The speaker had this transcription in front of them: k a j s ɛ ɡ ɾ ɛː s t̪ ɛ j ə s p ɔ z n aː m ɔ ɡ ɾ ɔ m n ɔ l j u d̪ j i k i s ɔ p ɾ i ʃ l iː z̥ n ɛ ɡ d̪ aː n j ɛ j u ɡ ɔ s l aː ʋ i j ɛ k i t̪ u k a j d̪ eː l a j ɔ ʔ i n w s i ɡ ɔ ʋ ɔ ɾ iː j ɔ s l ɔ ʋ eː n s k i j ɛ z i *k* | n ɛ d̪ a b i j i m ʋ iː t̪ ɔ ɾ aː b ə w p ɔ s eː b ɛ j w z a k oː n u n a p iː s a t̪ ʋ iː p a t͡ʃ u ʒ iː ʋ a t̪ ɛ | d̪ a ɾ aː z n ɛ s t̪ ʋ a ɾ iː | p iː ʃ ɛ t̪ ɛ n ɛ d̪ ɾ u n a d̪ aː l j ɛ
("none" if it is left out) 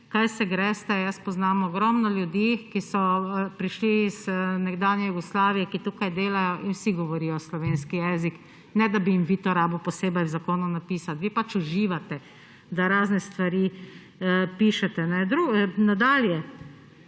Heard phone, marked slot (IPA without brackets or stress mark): k